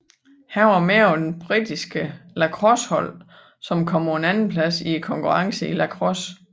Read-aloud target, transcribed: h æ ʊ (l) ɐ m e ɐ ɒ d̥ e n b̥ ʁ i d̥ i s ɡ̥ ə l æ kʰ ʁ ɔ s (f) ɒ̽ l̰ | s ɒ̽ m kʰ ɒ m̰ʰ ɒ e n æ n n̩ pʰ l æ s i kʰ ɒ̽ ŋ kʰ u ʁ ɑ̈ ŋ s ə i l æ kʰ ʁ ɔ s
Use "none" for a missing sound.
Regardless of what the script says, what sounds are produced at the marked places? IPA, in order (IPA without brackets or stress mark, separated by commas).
none, h